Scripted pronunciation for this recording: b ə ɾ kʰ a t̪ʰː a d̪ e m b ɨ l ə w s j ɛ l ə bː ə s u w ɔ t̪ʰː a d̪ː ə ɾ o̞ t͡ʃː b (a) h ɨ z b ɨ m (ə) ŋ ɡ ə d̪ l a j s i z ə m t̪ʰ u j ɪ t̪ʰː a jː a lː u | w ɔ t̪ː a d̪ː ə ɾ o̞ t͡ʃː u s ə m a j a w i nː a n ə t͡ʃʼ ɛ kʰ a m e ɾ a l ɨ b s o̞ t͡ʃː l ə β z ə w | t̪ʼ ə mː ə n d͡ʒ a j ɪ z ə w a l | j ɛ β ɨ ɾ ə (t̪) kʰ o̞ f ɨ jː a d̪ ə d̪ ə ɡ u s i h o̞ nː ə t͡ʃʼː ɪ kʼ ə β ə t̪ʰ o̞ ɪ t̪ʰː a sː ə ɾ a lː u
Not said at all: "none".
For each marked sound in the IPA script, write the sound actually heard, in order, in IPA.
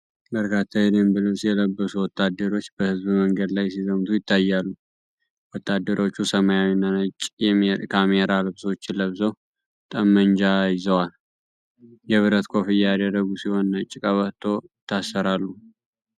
ə, ə, t̪

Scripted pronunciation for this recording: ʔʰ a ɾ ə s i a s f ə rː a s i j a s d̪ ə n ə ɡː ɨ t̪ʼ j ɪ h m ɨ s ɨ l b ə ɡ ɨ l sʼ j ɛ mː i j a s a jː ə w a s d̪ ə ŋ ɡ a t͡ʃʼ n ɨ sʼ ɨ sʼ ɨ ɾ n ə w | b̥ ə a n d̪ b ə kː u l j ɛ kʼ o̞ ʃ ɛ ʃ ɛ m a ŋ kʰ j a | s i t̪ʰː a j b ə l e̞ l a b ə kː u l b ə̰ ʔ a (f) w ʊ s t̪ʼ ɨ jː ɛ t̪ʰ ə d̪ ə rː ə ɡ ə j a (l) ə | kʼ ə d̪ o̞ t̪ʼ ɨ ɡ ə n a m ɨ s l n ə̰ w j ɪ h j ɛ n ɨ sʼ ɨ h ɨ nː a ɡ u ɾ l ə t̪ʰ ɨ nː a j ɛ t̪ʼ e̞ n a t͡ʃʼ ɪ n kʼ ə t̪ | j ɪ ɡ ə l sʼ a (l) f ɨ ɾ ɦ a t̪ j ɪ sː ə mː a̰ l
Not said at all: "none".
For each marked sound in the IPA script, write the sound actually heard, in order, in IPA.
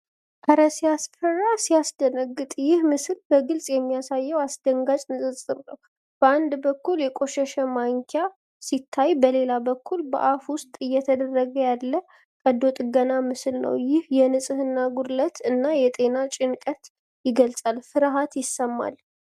f, lː, l

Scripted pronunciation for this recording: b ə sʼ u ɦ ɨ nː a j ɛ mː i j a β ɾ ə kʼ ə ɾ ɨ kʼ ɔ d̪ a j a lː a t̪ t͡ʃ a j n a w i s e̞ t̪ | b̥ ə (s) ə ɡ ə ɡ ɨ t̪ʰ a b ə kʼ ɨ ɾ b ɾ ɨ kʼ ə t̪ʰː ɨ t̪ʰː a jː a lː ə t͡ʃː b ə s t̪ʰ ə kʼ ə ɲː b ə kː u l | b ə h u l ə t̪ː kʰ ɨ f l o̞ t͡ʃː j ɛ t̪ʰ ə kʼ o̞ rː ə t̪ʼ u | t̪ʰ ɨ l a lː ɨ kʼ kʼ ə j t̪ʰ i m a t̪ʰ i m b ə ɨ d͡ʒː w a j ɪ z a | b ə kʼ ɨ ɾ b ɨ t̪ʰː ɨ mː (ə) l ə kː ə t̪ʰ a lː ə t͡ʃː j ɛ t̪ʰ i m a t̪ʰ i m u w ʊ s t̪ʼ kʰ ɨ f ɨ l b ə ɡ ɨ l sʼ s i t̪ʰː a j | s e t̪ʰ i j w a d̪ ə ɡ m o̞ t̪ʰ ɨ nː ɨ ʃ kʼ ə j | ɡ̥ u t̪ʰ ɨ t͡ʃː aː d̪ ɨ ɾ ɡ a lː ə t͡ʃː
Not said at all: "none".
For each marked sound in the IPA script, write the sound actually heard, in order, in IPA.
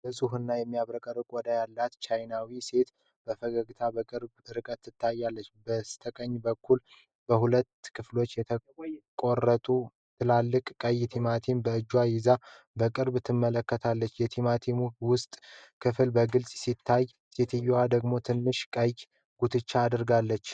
f, ə

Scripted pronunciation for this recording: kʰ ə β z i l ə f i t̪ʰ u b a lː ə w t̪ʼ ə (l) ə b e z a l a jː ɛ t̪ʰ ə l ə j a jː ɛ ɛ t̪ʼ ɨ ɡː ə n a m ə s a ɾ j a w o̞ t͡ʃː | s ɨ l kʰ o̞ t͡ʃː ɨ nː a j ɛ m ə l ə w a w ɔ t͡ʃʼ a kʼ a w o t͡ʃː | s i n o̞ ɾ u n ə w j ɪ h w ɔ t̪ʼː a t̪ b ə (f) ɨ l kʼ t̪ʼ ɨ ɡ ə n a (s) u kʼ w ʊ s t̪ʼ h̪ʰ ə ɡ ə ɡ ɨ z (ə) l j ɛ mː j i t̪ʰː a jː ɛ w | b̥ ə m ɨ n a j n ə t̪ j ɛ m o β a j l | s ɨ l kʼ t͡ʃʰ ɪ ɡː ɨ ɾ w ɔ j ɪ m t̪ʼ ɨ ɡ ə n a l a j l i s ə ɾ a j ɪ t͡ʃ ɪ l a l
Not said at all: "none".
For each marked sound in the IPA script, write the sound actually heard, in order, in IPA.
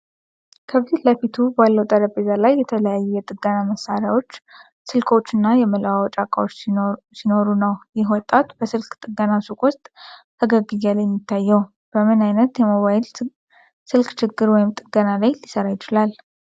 ɾ, s, s, a

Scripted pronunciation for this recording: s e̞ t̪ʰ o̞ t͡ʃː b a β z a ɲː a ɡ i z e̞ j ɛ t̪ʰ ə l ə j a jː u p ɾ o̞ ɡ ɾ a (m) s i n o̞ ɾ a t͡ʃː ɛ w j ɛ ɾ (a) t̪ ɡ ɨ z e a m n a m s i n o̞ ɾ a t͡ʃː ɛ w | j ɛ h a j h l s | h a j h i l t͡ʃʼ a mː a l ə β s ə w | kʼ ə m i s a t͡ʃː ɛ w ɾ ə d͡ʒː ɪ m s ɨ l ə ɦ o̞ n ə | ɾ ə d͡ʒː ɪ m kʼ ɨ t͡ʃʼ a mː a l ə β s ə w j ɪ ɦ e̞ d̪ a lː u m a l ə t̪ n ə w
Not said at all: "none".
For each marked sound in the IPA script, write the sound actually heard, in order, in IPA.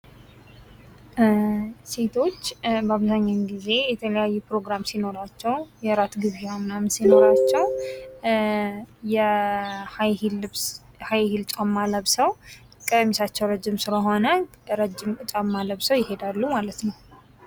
m, a

